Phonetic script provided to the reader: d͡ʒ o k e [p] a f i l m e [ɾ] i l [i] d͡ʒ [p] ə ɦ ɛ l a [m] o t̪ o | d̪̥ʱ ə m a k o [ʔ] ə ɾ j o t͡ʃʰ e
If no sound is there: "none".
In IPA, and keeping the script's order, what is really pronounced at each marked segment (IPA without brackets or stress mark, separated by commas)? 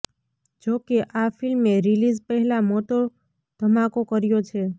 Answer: ʔ, ɾ, i, p, m, k